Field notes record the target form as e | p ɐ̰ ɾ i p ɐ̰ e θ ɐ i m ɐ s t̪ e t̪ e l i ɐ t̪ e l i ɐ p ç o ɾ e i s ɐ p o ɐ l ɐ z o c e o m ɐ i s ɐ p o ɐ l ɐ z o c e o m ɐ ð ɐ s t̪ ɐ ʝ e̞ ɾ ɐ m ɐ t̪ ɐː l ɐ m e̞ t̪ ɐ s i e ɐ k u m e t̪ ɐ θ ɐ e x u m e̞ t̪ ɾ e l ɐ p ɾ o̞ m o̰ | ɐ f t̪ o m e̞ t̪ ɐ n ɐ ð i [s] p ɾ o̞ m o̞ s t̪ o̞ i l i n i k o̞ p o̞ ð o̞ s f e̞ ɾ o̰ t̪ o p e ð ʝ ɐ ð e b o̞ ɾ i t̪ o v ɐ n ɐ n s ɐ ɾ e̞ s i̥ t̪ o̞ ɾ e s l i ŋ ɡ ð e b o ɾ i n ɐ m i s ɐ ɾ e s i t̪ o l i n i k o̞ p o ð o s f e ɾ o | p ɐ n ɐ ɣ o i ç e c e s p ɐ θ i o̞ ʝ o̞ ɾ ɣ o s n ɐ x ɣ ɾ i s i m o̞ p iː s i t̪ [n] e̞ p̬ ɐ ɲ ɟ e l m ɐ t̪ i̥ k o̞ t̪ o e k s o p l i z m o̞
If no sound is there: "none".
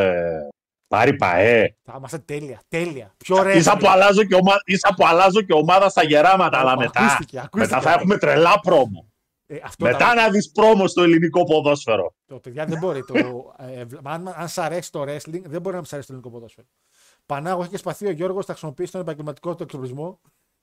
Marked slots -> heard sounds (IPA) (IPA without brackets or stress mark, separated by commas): s, n